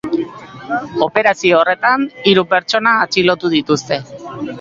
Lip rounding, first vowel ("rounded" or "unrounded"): rounded